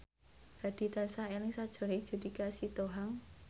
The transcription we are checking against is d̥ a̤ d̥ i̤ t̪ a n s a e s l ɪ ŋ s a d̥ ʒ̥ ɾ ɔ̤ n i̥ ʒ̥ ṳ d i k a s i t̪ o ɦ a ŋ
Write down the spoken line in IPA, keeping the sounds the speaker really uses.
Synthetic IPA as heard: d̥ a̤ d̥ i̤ t̪ a n s a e l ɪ ŋ s a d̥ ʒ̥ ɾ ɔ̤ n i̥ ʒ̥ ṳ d i k a s i t̪ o ɦ a ŋ